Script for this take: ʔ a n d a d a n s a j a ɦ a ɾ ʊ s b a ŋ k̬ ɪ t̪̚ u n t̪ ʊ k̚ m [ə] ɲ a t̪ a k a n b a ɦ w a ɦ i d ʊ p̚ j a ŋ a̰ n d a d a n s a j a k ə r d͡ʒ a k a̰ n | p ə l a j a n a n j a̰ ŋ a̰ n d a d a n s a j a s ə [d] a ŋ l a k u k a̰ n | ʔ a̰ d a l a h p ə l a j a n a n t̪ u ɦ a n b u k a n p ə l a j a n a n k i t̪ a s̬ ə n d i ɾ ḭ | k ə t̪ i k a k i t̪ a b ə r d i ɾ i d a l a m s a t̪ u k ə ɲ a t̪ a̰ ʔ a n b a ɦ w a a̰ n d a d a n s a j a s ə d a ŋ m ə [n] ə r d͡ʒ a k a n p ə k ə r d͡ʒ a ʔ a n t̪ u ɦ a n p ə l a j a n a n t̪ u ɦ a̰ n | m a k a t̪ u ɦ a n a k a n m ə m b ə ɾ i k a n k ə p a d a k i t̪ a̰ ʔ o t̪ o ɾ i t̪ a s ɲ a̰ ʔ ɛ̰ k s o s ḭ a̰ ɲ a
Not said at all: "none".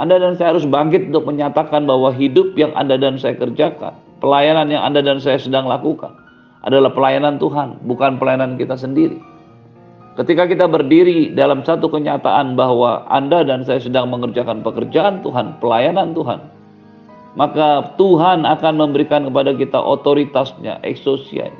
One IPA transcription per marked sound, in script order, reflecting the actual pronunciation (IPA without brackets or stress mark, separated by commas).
ə, d, ŋ